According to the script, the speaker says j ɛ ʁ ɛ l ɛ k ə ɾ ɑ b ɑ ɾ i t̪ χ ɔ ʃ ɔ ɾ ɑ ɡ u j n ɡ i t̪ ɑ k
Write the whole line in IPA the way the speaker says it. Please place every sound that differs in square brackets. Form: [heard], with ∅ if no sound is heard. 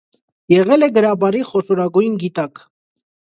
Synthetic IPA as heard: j ɛ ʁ ɛ l ɛ [ɡ] ə ɾ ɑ b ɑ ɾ i [∅] χ ɔ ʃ ɔ ɾ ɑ ɡ u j n ɡ i t̪ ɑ k